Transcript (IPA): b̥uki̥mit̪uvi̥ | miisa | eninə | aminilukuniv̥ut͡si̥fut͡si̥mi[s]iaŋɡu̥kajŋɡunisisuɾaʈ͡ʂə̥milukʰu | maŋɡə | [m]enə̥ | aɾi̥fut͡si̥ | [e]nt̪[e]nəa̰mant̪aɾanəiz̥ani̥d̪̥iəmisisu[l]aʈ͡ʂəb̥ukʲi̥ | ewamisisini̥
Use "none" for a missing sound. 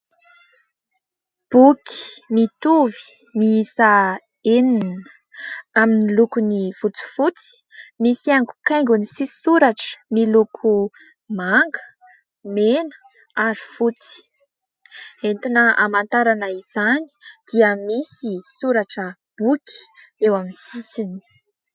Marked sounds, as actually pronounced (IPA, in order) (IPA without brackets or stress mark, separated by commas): s, m, e, i, ɾ